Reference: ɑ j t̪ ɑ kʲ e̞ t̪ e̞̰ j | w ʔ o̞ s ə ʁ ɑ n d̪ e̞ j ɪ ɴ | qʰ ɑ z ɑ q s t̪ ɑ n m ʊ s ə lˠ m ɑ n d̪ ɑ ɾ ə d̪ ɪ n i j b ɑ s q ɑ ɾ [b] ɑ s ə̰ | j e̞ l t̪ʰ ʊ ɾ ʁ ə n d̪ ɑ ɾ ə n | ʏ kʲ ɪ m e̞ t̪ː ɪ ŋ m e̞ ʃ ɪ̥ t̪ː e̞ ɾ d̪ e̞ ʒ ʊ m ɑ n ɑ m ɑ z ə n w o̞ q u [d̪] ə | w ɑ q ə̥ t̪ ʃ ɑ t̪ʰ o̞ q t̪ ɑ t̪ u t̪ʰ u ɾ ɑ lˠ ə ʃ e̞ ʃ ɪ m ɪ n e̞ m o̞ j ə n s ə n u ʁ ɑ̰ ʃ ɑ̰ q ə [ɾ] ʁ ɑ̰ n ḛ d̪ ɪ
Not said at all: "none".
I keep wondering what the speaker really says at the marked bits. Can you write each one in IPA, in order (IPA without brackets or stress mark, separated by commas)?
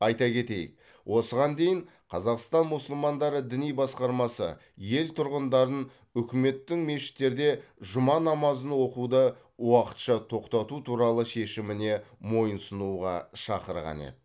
m, d̪, ɾ